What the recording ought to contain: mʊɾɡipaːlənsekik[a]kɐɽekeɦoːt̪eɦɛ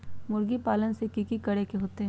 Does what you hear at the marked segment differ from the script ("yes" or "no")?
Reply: yes